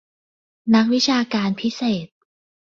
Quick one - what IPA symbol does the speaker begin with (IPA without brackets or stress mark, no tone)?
n